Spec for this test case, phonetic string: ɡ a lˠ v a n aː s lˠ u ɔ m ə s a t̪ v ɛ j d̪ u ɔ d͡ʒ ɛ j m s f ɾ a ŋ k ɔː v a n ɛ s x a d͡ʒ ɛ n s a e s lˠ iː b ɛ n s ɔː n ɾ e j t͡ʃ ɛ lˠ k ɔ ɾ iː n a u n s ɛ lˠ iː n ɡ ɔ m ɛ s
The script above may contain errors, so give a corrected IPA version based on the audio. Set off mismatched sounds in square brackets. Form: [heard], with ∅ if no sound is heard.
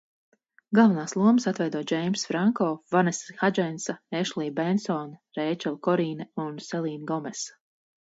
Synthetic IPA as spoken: ɡ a lˠ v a n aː s lˠ u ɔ m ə s a t̪ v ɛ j d̪ u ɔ d͡ʒ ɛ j m s f ɾ a ŋ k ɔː v a n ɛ s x a d͡ʒ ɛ n s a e [ʃ] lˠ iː b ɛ n s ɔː n ɾ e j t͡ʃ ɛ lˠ k ɔ ɾ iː n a u n s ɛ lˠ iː n ɡ ɔ m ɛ s